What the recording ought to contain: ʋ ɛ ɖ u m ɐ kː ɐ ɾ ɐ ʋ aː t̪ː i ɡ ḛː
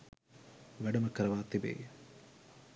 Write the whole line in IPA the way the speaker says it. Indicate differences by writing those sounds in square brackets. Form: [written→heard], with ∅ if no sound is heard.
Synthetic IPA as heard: ʋ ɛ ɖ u m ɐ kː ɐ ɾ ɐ ʋ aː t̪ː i [ɡ→b] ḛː